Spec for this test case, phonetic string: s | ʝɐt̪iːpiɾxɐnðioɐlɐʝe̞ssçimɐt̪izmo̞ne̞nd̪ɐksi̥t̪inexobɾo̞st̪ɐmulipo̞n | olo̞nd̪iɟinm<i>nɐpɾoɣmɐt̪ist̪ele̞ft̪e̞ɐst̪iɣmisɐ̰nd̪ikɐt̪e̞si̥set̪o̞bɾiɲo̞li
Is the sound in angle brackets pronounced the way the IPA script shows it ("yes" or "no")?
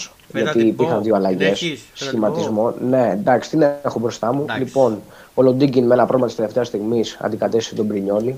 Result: no